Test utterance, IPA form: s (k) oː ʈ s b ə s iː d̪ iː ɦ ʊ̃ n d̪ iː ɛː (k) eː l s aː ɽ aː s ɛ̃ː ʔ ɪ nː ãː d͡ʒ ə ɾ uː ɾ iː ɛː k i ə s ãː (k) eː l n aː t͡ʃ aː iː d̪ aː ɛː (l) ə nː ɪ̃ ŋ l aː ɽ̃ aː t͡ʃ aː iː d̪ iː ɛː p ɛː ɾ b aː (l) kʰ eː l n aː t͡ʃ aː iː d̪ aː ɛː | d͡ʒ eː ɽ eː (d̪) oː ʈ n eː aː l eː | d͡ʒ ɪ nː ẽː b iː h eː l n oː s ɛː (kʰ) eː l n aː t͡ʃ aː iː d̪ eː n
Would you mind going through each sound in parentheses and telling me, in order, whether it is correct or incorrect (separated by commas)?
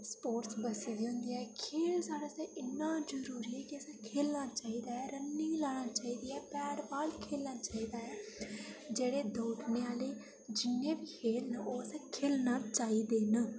incorrect, incorrect, incorrect, incorrect, correct, correct, correct